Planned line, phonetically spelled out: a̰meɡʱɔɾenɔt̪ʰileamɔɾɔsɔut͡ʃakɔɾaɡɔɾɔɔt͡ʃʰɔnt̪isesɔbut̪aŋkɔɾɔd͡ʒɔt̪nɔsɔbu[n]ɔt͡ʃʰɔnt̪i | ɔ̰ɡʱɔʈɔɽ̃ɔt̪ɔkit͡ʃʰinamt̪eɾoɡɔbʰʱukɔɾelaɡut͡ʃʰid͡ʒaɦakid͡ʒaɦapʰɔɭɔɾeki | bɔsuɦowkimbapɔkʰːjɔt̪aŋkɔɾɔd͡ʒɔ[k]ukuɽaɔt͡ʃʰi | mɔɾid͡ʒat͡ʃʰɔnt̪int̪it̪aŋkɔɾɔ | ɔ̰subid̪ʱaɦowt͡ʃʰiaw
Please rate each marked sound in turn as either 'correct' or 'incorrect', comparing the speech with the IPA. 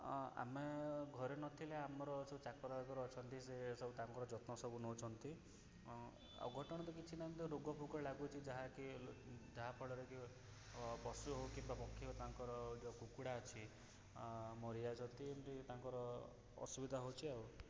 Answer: correct, correct

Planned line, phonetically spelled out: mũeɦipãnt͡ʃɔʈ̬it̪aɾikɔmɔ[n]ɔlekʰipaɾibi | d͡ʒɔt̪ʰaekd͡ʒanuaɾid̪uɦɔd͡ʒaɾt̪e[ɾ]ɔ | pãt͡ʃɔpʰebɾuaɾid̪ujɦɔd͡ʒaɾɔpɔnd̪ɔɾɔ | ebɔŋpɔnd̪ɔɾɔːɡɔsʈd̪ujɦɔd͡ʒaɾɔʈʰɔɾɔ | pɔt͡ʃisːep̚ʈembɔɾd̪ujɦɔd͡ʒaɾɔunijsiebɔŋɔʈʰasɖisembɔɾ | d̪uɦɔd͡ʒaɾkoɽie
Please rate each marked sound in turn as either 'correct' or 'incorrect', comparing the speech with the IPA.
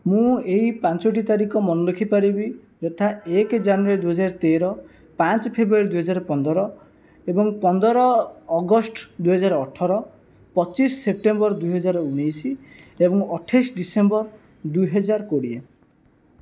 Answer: correct, correct

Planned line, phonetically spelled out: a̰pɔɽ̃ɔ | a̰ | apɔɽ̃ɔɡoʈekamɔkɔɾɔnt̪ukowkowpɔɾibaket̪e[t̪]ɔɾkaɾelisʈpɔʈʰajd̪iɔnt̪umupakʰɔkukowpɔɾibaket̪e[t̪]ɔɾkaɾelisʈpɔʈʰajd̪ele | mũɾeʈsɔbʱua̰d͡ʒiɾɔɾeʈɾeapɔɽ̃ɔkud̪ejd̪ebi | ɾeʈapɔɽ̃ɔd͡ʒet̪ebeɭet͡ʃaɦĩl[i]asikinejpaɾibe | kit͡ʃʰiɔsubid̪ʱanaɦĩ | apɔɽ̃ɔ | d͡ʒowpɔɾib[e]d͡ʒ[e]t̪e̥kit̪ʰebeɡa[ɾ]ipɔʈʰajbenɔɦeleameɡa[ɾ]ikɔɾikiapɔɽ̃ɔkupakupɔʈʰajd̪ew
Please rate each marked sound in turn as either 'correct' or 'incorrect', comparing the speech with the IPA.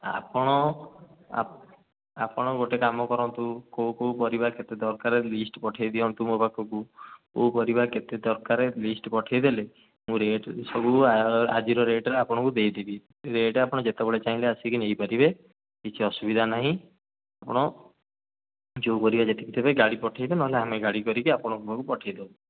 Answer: incorrect, incorrect, incorrect, incorrect, correct, incorrect, incorrect

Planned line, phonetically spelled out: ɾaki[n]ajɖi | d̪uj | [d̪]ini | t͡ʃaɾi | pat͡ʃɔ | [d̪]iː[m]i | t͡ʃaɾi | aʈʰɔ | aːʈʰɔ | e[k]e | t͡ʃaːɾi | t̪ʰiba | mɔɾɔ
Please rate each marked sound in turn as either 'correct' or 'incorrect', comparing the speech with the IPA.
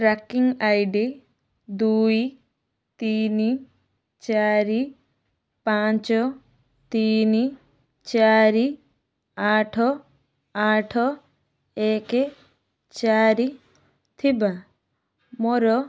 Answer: incorrect, incorrect, incorrect, incorrect, correct

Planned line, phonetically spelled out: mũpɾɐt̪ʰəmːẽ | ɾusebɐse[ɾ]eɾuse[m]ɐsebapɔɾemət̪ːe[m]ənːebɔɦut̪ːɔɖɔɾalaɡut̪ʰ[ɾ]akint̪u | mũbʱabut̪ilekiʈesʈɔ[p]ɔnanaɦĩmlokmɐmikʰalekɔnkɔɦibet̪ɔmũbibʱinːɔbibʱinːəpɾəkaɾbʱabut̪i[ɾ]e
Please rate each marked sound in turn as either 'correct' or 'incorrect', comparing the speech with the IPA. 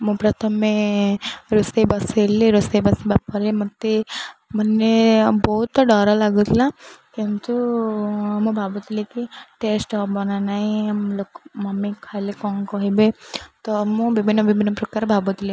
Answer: incorrect, incorrect, correct, incorrect, incorrect, incorrect

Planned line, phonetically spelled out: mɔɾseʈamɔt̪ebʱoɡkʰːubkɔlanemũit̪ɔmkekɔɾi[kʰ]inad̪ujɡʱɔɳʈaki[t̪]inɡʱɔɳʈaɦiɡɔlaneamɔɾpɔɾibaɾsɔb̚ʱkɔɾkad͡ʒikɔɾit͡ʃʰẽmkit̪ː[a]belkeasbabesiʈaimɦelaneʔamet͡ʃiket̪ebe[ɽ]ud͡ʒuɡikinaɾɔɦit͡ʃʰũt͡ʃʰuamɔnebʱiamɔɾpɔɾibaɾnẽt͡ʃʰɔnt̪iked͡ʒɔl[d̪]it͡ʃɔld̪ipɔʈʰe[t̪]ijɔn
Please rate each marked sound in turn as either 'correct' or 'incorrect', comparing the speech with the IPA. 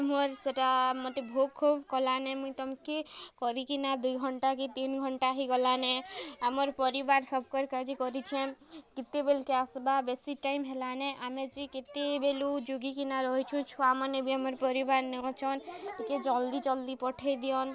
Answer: incorrect, correct, incorrect, incorrect, correct, incorrect

